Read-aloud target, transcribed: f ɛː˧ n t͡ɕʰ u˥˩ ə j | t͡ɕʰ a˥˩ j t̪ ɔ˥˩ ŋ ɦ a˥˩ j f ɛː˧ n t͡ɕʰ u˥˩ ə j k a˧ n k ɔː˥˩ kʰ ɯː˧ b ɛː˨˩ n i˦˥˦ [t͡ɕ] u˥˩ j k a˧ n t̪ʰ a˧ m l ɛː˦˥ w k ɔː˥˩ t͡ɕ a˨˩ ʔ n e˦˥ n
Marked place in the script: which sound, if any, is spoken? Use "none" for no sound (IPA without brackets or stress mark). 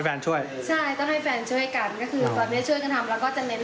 t͡ɕʰ